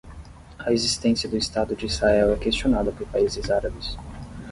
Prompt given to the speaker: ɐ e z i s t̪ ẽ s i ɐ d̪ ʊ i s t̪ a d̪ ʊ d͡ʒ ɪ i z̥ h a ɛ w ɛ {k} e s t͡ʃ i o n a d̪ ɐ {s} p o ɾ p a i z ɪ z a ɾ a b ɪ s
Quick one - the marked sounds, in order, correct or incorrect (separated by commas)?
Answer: correct, incorrect